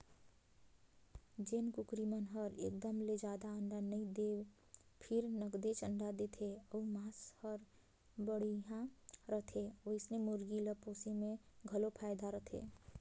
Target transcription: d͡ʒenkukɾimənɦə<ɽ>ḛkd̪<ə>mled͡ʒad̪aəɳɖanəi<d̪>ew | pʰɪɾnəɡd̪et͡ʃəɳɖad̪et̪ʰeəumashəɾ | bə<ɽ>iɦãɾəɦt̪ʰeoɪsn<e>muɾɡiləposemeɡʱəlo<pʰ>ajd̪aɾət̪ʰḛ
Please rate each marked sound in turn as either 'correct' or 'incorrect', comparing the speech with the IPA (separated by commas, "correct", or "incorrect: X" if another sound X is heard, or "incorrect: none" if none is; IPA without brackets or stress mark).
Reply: incorrect: ɾ, correct, correct, correct, correct, correct